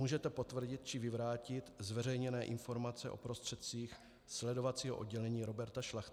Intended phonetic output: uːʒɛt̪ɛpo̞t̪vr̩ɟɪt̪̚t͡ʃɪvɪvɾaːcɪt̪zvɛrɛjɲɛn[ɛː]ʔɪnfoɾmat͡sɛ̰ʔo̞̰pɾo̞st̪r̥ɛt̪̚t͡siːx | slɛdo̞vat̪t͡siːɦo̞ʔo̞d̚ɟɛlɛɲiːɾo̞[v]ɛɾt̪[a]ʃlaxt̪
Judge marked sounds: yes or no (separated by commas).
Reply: yes, no, yes